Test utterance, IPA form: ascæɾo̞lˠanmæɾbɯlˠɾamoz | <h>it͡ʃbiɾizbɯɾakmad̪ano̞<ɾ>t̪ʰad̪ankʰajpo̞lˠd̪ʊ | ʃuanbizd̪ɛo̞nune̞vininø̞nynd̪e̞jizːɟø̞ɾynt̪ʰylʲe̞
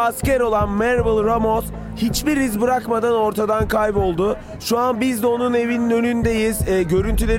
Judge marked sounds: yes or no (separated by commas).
yes, yes